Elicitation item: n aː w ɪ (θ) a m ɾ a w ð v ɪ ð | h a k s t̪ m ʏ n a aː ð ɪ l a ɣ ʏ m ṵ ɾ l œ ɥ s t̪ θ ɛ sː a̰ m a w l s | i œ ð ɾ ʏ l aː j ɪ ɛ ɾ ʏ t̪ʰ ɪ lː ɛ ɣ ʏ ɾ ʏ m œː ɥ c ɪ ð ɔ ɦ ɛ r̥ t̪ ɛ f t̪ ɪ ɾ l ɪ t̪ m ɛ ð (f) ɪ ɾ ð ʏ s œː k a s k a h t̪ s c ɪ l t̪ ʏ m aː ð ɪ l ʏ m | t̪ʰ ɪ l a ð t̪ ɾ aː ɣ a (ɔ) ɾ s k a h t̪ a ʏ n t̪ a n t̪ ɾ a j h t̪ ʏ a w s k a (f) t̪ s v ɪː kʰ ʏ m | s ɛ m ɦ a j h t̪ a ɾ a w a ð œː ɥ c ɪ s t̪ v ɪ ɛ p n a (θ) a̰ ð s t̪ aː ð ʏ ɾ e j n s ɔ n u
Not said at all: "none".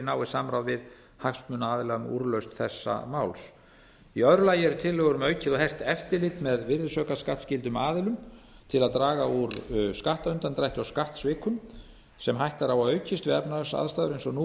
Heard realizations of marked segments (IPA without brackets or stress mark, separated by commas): s, v, u, h, s